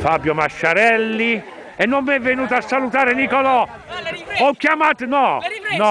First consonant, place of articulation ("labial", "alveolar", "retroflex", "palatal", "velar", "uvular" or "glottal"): labial